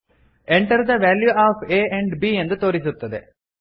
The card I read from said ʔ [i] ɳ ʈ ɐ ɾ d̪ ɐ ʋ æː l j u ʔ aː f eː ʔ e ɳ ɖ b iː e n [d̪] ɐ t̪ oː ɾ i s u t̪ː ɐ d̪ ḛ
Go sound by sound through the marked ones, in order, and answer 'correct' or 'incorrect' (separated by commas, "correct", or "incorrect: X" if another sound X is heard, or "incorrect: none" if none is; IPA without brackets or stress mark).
incorrect: e, correct